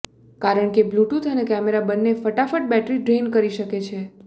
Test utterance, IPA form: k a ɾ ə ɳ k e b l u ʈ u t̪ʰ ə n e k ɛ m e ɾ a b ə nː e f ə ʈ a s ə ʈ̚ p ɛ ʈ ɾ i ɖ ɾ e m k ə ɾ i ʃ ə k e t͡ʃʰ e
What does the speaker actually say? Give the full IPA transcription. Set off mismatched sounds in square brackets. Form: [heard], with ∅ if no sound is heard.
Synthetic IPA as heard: k a ɾ ə ɳ k e b l u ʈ u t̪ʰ ə n e k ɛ m e ɾ a b ə nː e f ə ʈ a [f] ə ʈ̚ [b] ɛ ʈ ɾ i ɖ ɾ e [n] k ə ɾ i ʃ ə k e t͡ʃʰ e